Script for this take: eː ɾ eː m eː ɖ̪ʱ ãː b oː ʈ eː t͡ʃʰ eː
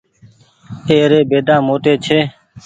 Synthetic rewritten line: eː ɾ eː b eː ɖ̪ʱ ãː m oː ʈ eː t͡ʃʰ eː